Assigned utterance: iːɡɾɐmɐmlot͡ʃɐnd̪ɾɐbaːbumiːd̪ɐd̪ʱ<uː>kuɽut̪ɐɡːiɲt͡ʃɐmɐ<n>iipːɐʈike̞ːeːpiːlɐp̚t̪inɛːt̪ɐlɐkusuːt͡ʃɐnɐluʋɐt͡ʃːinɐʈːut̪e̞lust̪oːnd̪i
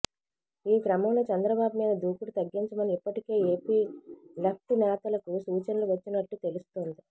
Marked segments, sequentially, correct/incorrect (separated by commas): correct, correct